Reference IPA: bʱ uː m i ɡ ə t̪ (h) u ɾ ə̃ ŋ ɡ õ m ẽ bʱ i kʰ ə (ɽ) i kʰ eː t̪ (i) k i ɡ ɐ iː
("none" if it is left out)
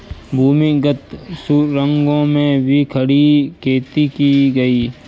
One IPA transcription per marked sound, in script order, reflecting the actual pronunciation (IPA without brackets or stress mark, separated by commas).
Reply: s, ɽ, i